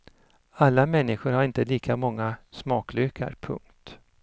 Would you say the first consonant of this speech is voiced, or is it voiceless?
voiced